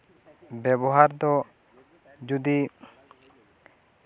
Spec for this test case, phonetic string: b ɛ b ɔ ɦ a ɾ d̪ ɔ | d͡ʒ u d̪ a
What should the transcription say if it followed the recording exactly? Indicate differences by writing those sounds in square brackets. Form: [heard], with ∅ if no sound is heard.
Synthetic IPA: b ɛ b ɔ ɦ a ɾ d̪ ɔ | d͡ʒ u d̪ [i]